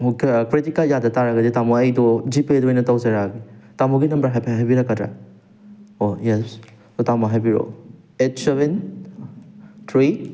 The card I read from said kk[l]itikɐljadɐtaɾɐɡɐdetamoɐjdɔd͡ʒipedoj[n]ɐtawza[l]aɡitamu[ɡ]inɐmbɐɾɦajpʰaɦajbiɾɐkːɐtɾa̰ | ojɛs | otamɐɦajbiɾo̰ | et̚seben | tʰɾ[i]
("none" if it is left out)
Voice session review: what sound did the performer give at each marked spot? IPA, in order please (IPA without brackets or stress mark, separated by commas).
ɾ, n, ɾ, ɡ, i